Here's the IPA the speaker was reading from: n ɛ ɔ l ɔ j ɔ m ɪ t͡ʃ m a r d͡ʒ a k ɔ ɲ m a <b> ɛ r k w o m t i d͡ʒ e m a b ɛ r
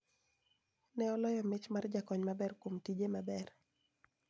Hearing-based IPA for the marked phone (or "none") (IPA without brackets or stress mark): b